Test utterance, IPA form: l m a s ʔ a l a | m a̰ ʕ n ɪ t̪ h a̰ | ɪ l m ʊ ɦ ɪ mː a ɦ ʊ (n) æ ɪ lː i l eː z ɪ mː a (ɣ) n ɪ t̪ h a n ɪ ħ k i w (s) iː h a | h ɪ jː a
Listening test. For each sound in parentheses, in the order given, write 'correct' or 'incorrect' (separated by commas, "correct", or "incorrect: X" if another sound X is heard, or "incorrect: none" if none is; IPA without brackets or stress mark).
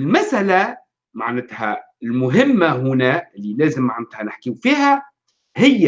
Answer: correct, incorrect: ʕ, incorrect: f